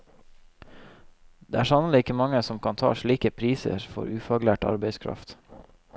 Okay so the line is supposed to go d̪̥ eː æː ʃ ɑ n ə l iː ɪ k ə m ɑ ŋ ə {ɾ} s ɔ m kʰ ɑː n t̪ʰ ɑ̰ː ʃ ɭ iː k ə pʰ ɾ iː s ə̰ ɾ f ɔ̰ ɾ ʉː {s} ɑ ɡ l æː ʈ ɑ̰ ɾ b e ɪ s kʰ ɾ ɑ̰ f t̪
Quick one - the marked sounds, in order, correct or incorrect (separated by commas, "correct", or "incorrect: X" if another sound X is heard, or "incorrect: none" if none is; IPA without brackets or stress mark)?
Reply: incorrect: none, incorrect: f